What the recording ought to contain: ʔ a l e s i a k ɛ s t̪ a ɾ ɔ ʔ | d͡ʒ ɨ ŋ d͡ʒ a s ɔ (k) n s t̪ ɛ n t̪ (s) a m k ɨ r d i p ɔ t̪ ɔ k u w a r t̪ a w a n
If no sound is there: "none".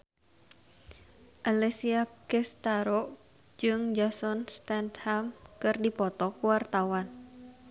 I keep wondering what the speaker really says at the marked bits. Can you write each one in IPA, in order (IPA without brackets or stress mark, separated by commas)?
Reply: none, h